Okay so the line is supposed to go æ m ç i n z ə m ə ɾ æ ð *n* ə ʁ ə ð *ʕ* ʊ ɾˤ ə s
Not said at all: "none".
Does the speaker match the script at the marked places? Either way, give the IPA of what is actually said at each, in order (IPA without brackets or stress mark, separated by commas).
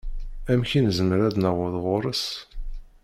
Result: n, ʁ